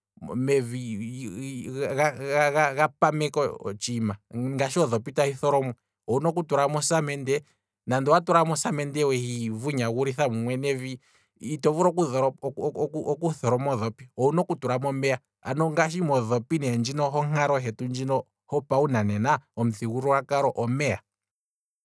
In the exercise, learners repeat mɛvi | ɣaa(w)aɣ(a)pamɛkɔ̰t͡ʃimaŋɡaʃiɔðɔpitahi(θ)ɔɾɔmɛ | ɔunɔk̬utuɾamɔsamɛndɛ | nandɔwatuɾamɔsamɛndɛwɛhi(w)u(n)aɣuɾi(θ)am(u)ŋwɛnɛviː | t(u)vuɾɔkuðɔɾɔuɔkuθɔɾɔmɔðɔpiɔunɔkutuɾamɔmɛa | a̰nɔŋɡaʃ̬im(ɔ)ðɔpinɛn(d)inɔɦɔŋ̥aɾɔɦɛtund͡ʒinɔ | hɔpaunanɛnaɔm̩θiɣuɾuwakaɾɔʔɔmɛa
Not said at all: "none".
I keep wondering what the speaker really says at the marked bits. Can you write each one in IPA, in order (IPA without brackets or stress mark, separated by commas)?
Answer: ɣ, a, θ, v, ɲ, θ, u, ɔ, ɔ, d͡ʒ